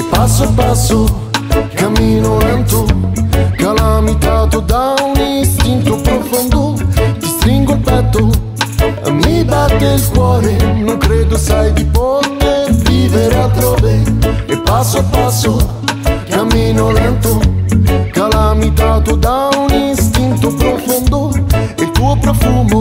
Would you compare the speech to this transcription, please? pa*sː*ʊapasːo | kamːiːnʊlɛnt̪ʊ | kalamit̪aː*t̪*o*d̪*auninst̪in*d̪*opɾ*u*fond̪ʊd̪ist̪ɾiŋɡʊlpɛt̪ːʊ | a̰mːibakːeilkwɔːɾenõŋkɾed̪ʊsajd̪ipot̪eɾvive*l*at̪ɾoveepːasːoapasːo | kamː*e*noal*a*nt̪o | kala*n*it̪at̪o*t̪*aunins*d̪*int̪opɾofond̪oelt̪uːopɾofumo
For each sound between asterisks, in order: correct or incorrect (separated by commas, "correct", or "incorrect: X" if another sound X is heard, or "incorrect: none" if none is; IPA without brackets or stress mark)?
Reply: correct, correct, correct, incorrect: t̪, incorrect: o, incorrect: ɾ, incorrect: i, incorrect: ɛ, incorrect: m, incorrect: d̪, incorrect: t̪